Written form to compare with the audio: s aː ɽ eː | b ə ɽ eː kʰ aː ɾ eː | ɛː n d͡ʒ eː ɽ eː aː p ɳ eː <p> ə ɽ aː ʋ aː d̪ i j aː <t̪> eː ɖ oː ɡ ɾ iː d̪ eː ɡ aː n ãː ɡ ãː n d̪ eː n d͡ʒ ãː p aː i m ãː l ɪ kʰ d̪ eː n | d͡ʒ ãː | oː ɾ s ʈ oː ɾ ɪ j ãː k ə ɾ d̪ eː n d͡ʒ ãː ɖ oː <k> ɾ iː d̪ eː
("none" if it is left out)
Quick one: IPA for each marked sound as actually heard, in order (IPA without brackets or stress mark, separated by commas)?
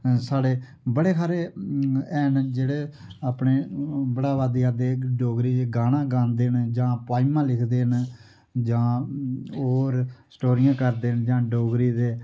b, d̪, ɡ